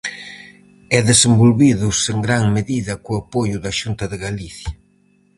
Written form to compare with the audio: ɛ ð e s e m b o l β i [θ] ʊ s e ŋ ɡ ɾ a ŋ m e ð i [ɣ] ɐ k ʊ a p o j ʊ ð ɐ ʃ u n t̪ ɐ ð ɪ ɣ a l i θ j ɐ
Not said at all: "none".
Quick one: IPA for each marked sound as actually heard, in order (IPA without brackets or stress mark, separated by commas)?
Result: ð, ð